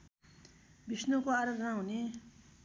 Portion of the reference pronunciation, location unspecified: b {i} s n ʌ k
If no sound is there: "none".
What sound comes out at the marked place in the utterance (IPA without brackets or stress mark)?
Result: i